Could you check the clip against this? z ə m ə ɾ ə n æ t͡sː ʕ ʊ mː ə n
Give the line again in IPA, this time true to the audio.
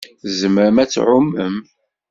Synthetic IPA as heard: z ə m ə ɾ ə m æ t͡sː ʕ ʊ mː ə m